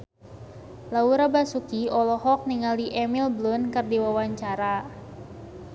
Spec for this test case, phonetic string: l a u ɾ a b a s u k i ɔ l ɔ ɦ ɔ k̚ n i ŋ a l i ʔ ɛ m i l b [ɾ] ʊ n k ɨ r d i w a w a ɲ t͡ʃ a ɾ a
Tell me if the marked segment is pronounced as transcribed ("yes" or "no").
no